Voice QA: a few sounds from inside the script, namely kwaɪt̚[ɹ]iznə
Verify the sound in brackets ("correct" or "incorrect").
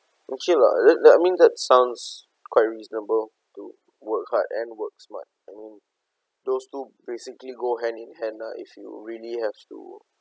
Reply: correct